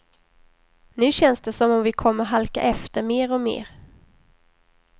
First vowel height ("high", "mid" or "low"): high